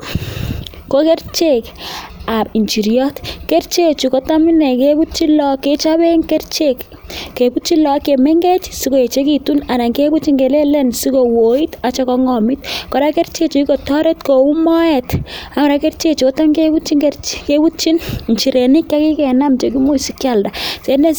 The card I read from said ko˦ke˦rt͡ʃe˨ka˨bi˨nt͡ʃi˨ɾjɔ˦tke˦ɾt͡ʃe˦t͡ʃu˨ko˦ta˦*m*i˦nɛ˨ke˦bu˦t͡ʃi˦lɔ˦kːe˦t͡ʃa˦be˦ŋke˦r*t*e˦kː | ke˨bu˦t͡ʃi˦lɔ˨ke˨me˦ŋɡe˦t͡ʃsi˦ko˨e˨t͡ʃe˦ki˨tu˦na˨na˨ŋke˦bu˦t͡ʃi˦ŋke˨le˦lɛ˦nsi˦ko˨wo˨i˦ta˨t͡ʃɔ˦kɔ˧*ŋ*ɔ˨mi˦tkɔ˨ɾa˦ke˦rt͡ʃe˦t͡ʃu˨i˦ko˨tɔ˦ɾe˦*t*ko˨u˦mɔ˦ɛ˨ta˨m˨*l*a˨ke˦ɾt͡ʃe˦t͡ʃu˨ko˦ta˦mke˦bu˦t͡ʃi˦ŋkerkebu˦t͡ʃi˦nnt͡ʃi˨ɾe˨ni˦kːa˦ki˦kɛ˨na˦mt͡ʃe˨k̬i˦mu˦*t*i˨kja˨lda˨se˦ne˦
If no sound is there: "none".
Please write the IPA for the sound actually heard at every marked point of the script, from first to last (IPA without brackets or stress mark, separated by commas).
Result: m, t͡ʃ, ŋ, t, ɾ, s